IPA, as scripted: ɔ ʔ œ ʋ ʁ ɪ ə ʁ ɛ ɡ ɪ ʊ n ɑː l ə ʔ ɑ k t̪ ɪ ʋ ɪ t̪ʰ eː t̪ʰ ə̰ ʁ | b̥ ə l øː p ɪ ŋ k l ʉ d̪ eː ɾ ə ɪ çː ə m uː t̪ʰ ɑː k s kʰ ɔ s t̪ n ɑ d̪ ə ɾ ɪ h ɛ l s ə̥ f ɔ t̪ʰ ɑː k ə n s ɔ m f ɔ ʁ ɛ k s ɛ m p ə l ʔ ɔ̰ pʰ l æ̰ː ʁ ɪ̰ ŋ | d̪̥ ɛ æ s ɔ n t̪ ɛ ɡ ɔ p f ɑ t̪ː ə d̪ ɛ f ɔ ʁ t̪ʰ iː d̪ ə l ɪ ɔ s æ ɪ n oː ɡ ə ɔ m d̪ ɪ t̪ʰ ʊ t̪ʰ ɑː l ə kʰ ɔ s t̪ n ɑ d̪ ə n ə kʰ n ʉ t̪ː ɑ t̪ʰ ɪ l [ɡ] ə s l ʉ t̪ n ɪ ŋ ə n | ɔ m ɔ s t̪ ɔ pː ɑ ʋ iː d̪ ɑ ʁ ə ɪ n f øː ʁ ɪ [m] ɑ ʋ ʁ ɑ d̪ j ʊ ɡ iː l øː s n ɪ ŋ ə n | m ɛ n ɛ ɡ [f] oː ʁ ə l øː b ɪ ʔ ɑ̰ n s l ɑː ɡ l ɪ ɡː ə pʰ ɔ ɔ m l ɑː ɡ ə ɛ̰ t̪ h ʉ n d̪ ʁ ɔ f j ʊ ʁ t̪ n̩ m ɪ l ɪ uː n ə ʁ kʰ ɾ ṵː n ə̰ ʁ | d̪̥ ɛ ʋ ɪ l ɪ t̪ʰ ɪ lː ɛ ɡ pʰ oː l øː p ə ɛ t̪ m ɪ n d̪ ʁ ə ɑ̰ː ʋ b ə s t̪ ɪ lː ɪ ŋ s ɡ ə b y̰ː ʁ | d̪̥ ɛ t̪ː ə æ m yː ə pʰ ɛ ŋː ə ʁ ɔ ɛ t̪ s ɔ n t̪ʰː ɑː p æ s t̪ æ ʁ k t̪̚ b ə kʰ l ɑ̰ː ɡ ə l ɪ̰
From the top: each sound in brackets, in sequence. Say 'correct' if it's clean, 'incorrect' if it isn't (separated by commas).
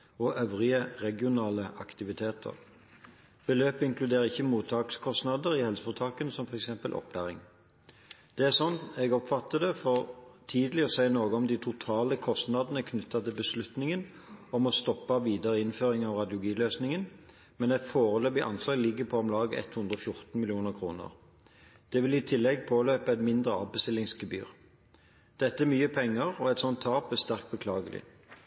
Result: incorrect, incorrect, correct